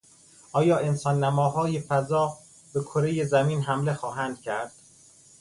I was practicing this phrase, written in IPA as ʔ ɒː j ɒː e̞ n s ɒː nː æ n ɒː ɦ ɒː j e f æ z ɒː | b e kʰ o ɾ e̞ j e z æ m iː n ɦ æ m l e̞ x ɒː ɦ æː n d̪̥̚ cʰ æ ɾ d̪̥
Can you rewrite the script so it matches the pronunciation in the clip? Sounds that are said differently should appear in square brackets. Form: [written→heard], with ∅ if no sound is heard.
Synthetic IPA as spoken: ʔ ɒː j ɒː e̞ n s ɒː nː æ [n→m] ɒː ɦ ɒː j e f æ z ɒː | b e kʰ o ɾ e̞ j e z æ m iː n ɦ æ m l e̞ x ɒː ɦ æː n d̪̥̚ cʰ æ ɾ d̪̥